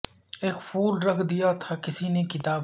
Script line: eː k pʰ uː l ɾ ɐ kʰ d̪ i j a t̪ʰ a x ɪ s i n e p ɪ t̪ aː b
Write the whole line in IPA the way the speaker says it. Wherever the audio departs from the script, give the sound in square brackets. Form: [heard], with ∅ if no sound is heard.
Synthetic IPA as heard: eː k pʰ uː l ɾ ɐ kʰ d̪ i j a t̪ʰ a [k] ɪ s i n e [k] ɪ t̪ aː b